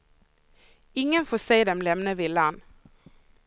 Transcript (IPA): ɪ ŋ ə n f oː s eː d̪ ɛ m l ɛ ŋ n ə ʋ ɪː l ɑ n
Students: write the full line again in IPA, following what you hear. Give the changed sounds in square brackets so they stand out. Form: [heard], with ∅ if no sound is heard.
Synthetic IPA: ɪ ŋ ə n f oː s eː d̪ ɛ m l ɛ [m] n ə ʋ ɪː l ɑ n